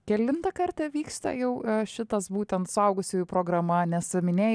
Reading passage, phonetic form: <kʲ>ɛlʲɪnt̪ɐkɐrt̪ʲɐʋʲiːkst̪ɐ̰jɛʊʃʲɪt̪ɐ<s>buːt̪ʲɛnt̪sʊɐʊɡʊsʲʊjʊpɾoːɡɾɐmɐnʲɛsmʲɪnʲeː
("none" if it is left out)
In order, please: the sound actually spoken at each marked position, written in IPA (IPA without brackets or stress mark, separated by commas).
kʲ, s